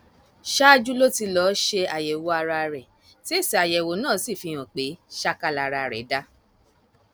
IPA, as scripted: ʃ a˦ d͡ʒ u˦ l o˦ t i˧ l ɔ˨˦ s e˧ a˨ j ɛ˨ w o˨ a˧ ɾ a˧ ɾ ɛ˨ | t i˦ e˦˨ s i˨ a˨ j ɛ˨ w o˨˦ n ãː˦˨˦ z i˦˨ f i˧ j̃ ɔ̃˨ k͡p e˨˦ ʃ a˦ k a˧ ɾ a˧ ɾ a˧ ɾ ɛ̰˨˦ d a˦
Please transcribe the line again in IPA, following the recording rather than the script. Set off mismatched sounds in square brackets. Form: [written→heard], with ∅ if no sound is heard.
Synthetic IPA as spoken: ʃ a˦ d͡ʒ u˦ l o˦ t i˧ l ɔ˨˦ [s→ʃ] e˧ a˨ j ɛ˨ w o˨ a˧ ɾ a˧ ɾ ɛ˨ | t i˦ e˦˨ s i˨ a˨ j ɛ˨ w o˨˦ n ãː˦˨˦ [z→s] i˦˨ f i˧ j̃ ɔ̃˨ k͡p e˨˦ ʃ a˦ k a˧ [ɾ→l] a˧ ɾ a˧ ɾ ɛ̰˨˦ d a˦